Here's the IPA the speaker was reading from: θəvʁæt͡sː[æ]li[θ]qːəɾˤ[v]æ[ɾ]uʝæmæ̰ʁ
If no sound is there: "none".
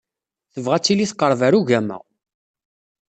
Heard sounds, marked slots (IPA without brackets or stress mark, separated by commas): i, θ, v, ɾ